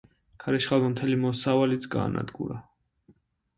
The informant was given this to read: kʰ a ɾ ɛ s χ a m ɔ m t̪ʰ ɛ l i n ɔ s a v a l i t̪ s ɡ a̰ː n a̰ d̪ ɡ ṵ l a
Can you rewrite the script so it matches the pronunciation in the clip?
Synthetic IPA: kʰ a ɾ ɛ ʃ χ a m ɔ m t̪ʰ ɛ l i m ɔ s a v a l i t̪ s ɡ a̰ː n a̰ d̪ ɡ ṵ ɾ a